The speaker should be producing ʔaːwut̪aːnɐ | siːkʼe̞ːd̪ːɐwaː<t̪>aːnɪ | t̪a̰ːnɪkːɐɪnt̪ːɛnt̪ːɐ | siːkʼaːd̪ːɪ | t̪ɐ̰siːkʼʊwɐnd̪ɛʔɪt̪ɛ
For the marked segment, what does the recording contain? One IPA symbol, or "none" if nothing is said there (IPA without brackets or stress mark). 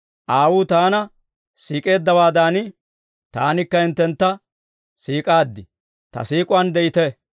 d̪